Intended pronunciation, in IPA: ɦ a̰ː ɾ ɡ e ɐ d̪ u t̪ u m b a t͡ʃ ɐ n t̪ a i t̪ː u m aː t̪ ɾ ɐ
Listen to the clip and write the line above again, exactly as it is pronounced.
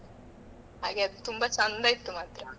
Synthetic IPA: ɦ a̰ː ɡ e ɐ d̪ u t̪ u m b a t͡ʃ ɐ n d̪ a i t̪ː u m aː t̪ ɾ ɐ